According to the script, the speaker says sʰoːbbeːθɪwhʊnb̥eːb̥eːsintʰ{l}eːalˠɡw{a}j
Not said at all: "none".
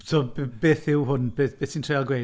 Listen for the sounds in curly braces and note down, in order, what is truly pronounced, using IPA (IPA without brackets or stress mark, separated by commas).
r, e